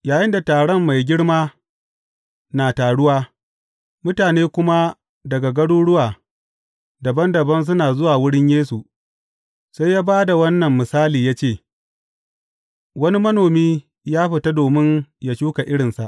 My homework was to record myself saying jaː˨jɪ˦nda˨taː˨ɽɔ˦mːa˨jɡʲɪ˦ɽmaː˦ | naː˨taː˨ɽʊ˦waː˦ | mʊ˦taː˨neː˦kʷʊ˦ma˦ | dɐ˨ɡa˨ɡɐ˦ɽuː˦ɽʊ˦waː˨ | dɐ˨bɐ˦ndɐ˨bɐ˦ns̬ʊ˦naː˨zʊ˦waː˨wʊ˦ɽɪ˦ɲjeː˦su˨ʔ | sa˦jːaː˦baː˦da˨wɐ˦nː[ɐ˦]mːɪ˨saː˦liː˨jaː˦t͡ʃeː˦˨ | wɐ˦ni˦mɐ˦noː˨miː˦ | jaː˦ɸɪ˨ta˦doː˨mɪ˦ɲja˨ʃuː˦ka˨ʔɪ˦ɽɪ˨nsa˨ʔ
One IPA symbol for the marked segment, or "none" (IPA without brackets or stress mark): ɐ˨